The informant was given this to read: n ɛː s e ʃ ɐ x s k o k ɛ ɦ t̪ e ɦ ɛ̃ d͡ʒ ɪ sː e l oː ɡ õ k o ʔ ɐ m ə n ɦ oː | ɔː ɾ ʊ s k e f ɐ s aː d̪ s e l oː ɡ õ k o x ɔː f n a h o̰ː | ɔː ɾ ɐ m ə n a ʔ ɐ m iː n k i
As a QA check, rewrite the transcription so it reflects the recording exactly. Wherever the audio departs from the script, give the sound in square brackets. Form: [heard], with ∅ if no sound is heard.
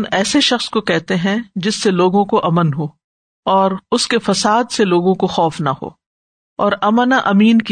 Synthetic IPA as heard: n ɛː s e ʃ ɐ x s k o k ɛ ɦ t̪ e ɦ ɛ̃ d͡ʒ ɪ sː e l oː ɡ õ k o ʔ ɐ m ə n ɦ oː | ɔː ɾ ʊ s k e f ɐ s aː d̪ s e l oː ɡ õ k o x ɔː f n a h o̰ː | ɔː ɾ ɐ m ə n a ʔ ɐ m iː n k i